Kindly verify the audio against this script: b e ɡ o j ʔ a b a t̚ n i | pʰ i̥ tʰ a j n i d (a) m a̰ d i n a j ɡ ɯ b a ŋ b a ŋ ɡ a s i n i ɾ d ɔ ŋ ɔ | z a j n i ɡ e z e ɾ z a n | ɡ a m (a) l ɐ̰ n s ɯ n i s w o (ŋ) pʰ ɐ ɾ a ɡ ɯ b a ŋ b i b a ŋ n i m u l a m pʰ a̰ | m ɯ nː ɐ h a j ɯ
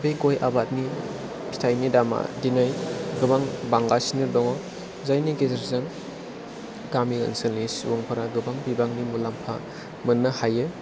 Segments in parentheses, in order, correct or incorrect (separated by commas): correct, incorrect, correct